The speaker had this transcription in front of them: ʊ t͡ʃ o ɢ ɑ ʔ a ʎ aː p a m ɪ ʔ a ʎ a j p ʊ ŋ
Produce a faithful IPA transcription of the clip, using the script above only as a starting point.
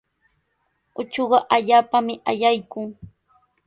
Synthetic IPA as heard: ʊ t͡ʃ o ɢ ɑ ʔ a ʎ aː p a m ɪ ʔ a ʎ a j k ʊ ŋ